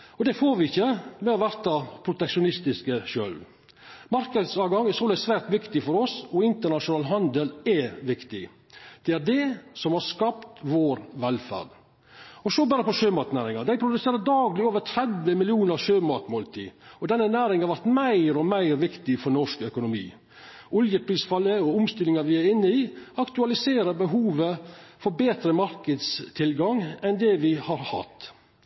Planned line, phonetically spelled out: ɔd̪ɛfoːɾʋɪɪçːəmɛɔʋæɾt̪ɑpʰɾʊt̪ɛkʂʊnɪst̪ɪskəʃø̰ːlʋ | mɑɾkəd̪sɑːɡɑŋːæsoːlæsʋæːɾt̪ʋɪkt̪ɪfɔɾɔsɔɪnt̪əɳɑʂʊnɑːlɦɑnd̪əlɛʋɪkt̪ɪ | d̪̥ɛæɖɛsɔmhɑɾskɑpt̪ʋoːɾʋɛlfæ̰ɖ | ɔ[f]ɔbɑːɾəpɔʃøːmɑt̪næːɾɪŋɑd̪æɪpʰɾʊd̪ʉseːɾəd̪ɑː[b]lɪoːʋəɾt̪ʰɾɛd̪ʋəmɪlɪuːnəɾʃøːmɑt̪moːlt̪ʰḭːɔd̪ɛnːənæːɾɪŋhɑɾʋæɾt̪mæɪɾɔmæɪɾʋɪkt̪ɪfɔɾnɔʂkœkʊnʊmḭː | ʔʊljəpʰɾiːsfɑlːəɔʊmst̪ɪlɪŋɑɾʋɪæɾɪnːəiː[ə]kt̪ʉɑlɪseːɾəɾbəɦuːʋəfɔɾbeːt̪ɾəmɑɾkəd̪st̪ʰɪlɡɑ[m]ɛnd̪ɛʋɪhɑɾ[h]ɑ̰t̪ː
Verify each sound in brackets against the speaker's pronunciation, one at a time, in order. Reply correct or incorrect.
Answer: incorrect: s, incorrect: ɡ, incorrect: ɑ, incorrect: ŋ, correct

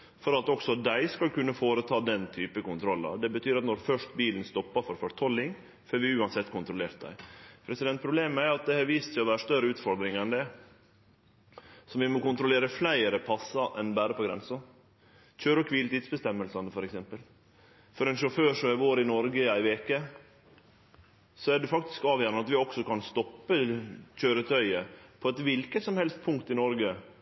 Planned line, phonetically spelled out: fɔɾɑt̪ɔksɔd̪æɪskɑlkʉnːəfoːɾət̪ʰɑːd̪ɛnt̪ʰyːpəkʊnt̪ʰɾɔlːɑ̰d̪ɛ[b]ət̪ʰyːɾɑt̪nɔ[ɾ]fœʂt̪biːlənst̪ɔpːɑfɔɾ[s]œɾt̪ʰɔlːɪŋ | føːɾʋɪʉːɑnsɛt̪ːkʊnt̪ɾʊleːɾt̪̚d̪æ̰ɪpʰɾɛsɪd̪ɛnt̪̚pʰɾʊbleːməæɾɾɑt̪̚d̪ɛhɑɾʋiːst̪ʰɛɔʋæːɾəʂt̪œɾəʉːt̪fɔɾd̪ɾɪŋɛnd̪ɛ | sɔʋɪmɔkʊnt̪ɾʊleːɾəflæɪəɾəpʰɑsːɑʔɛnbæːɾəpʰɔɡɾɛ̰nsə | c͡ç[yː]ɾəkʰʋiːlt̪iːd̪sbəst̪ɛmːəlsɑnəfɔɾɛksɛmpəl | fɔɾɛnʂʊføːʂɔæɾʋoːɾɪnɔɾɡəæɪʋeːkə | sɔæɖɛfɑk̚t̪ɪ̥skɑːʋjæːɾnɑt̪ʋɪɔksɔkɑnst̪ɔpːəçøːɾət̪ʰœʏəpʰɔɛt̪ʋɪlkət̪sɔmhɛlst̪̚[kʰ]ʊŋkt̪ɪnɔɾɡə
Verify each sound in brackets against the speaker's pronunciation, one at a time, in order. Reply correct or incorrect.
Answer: correct, correct, incorrect: f, incorrect: øː, incorrect: pʰ

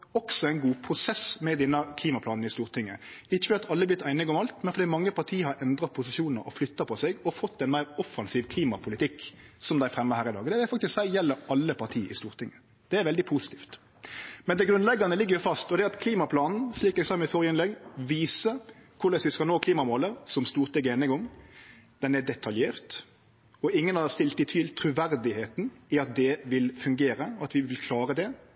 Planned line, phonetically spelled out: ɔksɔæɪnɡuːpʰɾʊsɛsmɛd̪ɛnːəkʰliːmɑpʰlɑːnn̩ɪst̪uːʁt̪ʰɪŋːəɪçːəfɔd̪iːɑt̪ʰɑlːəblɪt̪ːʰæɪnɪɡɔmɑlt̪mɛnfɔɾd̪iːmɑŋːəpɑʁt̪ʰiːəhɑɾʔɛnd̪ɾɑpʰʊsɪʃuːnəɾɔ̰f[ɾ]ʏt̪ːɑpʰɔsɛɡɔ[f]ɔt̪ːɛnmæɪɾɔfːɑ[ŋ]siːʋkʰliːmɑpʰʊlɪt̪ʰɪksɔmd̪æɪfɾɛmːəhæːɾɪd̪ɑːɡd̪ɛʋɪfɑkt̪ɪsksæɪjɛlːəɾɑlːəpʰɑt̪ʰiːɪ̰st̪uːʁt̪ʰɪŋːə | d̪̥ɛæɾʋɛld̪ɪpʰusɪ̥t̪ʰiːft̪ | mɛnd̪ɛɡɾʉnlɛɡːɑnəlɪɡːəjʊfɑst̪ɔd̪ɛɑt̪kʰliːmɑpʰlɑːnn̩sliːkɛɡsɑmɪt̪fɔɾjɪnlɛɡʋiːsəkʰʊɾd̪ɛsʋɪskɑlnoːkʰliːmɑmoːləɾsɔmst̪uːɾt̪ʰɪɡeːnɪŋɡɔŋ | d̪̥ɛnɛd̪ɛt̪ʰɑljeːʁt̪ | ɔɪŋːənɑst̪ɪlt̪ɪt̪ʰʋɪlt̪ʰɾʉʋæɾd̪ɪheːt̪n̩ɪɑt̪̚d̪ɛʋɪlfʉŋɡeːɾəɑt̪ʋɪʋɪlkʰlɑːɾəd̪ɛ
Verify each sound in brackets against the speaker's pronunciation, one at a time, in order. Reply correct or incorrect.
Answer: incorrect: l, correct, incorrect: n

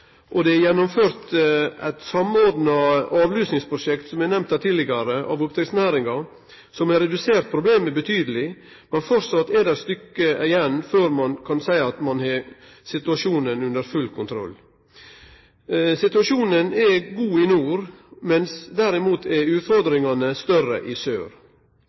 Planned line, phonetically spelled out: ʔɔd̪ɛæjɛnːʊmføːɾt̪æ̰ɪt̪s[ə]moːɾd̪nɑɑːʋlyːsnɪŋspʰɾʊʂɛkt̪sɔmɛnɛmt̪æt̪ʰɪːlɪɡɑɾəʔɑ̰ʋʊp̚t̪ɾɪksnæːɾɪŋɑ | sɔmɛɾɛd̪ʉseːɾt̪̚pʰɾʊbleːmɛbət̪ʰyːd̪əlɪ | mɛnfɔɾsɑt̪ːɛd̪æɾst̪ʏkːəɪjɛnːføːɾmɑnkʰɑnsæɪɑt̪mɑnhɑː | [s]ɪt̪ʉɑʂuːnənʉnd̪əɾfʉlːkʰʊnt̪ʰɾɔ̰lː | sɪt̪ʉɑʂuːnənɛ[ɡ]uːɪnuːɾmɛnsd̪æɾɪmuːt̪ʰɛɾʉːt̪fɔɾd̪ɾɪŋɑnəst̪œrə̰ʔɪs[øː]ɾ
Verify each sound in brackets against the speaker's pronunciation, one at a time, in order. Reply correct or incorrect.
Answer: incorrect: ɑ, correct, correct, correct

